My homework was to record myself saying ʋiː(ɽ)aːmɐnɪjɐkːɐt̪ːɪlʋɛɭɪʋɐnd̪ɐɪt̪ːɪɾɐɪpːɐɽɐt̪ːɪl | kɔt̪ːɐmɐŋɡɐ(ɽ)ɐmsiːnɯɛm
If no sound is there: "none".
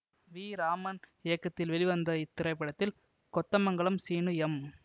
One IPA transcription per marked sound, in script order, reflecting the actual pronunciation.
ɾ, ɭ

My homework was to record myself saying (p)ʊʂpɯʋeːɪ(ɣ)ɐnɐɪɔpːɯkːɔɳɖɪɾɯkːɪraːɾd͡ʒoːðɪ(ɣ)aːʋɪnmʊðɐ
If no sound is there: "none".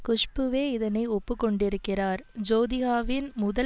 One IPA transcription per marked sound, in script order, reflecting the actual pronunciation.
k, ð, ɣ

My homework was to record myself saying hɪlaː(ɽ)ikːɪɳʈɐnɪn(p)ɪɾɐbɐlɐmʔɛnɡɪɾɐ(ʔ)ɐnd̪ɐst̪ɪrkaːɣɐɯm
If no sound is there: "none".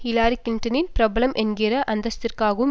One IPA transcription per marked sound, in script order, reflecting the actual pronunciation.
ɾ, p, ʔ

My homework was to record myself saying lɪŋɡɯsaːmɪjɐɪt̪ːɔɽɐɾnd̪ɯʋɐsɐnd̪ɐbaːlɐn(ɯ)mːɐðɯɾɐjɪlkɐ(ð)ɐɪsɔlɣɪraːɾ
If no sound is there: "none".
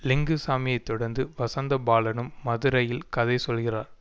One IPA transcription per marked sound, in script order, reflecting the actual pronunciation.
ɯ, ð

